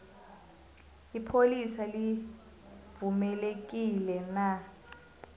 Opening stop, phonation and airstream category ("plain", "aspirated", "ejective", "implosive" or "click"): aspirated